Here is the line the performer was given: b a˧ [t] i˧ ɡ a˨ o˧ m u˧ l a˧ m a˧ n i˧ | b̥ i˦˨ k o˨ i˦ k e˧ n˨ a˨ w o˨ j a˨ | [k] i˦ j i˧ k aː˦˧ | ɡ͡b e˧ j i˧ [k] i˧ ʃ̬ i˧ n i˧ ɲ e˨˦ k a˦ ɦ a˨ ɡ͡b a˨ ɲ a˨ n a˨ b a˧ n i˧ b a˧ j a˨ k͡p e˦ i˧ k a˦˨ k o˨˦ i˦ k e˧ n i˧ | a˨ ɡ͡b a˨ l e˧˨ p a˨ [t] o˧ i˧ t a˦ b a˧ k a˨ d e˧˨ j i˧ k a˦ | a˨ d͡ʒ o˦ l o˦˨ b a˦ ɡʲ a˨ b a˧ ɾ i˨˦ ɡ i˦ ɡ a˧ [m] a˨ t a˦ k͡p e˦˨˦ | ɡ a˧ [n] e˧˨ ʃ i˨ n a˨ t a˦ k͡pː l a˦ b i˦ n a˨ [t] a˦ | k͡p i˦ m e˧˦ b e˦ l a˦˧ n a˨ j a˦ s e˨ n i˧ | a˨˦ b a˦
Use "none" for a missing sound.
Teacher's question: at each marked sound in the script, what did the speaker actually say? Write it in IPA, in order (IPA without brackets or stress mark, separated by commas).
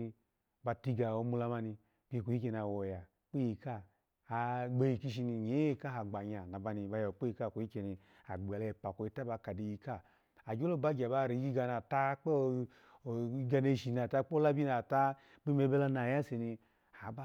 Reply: t, k͡p, k, k, n, n, t